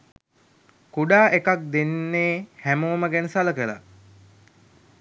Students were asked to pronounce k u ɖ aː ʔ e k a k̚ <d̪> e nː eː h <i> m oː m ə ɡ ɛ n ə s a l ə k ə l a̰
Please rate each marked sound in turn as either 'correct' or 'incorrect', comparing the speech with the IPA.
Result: correct, incorrect: æ

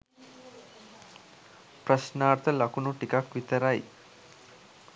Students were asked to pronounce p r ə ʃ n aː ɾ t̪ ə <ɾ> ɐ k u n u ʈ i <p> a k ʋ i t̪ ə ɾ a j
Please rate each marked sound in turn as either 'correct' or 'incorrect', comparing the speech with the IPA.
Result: incorrect: l, incorrect: k

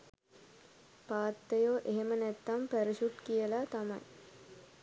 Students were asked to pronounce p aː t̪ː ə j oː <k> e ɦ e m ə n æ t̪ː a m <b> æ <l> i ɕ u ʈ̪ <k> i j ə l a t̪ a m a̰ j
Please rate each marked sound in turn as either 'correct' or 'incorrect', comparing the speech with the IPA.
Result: incorrect: ʔ, incorrect: p, incorrect: ɾ, correct

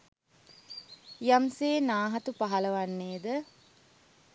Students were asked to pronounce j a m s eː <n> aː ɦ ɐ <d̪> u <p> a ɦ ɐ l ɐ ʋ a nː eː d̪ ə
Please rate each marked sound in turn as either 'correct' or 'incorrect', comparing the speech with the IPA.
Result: correct, incorrect: t̪, correct

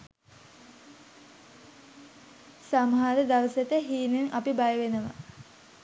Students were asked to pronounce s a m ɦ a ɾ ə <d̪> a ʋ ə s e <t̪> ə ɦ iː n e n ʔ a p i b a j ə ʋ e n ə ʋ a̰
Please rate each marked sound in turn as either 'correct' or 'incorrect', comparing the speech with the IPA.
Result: correct, correct

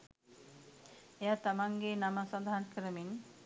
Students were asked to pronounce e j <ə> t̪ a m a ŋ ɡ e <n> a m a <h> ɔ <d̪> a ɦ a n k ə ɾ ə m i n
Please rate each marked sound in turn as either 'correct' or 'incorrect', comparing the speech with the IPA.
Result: incorrect: a, correct, incorrect: s, correct

